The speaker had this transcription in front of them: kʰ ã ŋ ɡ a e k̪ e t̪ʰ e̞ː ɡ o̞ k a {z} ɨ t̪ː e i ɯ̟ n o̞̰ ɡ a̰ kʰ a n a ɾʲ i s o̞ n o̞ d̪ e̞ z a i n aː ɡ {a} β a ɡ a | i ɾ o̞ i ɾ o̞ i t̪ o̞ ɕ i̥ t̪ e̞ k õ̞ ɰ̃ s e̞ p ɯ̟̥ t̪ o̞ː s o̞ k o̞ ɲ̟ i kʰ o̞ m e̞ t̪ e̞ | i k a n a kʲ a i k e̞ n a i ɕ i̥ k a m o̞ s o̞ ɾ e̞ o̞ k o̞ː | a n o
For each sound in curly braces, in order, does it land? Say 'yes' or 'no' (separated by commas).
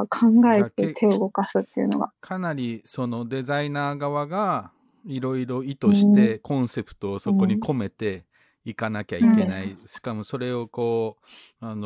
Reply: no, yes